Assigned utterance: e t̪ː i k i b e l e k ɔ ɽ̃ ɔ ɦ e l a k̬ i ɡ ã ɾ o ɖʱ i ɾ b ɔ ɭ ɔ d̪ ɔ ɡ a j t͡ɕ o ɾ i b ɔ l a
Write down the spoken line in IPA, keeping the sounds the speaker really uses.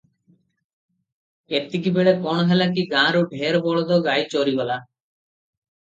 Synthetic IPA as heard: e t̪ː i k i b e ɭ e k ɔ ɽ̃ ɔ ɦ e l a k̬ i ɡ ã ɾ o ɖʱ e ɾ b ɔ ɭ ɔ d̪ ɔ ɡ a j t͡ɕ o ɾ i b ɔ l a